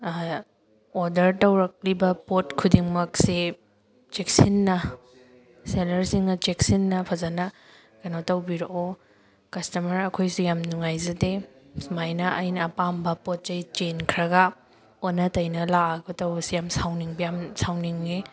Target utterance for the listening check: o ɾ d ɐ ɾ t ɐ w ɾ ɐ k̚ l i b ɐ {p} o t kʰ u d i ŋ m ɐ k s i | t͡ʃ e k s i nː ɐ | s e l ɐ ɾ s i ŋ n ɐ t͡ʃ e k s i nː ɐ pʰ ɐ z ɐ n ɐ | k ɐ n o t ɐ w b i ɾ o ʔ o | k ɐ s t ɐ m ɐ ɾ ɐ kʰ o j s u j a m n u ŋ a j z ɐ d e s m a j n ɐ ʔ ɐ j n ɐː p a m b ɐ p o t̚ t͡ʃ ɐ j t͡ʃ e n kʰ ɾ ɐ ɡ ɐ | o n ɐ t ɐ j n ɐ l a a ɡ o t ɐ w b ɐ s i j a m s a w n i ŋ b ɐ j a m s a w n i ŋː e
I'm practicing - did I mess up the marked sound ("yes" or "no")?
no